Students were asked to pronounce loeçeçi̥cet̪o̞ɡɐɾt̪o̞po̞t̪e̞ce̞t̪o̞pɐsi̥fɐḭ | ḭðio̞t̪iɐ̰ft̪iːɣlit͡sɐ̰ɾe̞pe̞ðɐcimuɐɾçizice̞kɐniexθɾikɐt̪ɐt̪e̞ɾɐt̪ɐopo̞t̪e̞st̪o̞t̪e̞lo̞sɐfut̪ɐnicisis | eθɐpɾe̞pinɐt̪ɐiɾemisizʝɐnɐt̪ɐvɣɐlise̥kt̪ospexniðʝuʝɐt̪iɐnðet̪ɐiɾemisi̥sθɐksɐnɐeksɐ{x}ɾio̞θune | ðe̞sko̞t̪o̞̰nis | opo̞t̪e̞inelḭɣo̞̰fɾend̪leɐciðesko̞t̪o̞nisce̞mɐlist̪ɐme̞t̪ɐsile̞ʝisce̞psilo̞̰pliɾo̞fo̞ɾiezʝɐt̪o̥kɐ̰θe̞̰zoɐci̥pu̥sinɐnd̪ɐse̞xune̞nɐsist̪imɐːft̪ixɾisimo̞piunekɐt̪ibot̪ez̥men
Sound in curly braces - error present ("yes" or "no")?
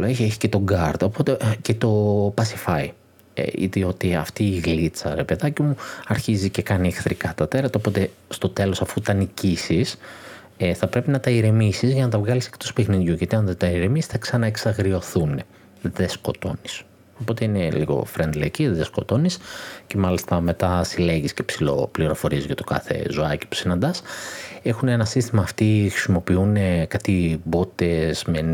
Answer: yes